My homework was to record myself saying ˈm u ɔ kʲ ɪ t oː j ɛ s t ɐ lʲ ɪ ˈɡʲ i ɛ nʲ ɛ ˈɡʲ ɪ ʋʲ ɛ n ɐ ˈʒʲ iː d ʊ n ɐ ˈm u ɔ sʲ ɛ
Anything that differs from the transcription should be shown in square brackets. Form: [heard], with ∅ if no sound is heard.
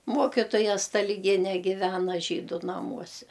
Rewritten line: ˈm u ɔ kʲ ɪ t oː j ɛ s t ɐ lʲ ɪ ˈɡʲ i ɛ nʲ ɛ ˈɡʲ ɪ ʋʲ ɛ n ɐ ˈʒʲ iː d ʊ n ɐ ˈm u ɔ sʲ ɛ